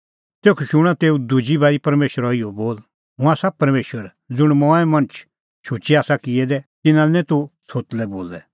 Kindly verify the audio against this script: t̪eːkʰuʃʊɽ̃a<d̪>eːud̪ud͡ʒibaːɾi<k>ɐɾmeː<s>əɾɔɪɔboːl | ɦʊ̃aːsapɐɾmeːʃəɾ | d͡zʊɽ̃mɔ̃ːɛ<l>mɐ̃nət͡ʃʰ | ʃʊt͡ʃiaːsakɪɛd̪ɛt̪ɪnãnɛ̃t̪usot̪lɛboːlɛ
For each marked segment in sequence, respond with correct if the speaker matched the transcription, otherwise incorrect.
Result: incorrect, incorrect, incorrect, incorrect

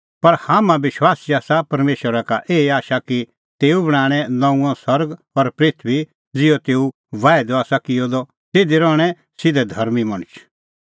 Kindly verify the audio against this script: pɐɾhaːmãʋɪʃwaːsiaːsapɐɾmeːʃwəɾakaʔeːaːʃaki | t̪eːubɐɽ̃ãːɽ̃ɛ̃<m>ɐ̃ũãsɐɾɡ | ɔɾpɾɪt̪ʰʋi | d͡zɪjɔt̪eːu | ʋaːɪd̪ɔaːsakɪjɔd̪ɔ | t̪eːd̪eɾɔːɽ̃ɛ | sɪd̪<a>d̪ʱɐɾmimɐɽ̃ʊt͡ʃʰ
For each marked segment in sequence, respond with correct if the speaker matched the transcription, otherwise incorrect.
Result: incorrect, incorrect

